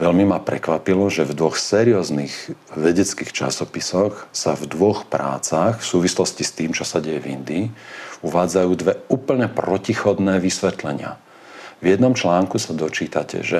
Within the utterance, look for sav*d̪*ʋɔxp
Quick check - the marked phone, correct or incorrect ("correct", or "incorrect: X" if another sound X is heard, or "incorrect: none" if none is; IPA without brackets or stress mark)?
correct